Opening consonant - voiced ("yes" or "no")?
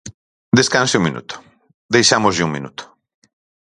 yes